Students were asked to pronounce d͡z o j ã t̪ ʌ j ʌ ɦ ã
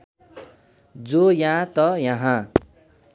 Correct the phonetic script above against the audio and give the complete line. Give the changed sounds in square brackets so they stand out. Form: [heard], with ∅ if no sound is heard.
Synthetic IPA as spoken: d͡z o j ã t̪ ʌ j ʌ ɦ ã